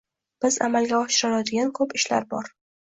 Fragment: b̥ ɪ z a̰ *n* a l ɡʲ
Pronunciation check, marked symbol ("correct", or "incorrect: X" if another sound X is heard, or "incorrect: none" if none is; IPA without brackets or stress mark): incorrect: m